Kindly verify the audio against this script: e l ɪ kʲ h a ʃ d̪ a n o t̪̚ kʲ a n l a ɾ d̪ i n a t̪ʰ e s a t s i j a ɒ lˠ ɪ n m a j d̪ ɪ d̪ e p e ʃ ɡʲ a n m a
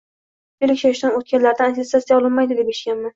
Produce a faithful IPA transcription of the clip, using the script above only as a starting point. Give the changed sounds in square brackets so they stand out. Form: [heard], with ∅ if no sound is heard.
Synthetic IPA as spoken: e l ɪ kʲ [ʃ] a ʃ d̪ a n o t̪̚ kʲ a n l a ɾ d̪ [a] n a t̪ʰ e s a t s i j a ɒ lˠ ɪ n m a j d̪ ɪ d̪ e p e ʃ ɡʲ a n m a